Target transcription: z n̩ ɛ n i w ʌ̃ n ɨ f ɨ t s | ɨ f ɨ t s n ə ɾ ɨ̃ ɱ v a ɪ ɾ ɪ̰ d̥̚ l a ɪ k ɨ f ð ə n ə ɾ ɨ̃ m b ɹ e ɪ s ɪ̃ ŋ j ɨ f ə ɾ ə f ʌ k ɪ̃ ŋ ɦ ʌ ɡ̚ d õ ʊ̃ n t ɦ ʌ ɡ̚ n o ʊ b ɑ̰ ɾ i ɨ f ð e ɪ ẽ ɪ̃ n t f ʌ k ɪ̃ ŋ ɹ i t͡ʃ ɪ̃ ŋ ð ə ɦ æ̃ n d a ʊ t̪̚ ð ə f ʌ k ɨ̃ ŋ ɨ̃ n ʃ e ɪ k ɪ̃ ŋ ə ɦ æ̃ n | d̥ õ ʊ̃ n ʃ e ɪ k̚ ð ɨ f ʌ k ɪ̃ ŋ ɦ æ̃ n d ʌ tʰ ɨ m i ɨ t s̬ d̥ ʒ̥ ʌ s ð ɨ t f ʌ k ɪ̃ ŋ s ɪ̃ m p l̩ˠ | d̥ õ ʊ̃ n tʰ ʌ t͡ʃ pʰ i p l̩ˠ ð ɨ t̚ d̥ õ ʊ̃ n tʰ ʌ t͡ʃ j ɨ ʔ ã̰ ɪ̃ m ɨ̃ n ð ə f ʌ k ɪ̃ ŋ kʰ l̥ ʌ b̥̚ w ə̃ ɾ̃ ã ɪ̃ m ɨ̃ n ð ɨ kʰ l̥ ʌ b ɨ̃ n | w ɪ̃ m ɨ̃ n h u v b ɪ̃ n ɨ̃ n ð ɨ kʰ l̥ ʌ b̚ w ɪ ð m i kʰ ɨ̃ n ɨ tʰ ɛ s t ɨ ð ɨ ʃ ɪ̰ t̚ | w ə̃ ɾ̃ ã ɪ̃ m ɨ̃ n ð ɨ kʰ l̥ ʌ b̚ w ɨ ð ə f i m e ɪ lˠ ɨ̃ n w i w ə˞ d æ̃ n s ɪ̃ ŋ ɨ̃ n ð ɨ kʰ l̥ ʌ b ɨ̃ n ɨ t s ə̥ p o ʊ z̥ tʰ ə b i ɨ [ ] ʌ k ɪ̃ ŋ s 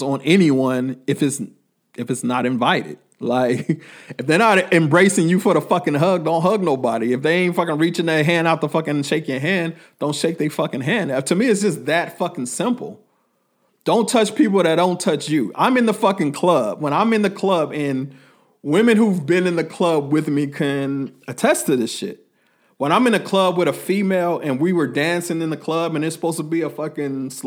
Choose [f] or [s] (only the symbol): f